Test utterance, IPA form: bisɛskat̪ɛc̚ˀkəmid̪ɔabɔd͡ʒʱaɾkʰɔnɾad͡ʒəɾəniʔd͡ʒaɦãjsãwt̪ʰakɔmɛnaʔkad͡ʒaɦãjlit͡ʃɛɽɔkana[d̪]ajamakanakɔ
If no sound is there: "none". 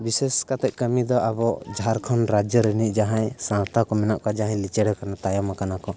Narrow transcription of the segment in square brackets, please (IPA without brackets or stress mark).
t̪